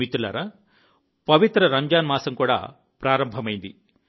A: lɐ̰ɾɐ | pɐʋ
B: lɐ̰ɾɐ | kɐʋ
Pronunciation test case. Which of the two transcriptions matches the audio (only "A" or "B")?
A